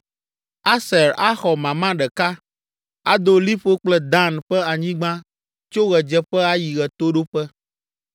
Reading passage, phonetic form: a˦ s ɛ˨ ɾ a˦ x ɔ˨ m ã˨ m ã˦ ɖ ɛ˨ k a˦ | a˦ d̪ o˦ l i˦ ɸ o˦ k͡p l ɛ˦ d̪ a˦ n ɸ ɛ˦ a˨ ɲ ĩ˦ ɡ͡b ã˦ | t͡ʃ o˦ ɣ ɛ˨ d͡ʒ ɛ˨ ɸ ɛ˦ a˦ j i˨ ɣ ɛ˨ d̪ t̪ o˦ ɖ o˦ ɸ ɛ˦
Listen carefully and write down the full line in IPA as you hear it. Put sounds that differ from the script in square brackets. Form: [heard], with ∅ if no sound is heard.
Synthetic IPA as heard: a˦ s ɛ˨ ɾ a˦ x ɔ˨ m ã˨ m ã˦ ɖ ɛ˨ k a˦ | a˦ d̪ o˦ l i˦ ɸ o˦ k͡p l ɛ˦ d̪ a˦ n ɸ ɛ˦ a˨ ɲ ĩ˦ ɡ͡b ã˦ | t͡ʃ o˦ ɣ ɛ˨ d͡ʒ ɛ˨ ɸ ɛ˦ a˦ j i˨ ɣ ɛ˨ [∅] t̪ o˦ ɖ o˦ ɸ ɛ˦